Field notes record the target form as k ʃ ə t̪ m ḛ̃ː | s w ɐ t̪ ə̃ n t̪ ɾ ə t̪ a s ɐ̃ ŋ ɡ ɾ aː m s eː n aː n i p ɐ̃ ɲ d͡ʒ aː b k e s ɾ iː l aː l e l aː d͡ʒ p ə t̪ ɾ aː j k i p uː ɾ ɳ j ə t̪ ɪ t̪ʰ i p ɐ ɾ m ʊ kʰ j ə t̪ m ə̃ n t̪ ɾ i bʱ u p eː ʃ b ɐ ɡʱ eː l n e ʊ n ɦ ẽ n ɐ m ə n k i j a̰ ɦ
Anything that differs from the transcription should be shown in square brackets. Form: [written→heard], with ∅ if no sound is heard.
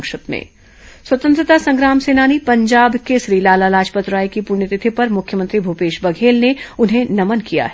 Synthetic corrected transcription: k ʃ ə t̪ m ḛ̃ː | s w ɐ t̪ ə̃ n t̪ ɾ ə t̪ a s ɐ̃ ŋ ɡ ɾ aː m s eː n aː n i p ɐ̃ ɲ d͡ʒ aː b k e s ɾ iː l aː l [e→a] l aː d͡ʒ p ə t̪ ɾ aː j k i p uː ɾ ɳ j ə t̪ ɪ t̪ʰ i p ɐ ɾ m ʊ kʰ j ə [t̪→∅] m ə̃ n t̪ ɾ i bʱ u p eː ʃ b ɐ ɡʱ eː l n e ʊ n ɦ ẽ n ɐ m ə n k i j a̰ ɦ